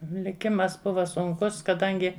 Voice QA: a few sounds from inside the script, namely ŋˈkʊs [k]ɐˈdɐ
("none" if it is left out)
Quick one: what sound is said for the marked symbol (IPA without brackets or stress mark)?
k